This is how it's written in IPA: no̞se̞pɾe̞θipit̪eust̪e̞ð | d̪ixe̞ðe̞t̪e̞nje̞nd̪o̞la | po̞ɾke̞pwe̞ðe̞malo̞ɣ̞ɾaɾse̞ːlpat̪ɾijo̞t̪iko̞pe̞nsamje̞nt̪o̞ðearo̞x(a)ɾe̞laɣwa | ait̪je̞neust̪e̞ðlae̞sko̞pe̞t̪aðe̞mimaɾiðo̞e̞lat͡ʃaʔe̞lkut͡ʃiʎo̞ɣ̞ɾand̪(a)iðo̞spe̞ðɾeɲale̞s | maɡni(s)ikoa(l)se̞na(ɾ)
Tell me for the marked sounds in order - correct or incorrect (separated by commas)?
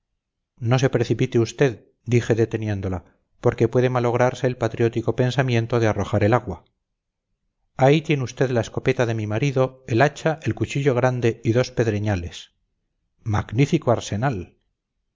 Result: correct, incorrect, incorrect, incorrect, incorrect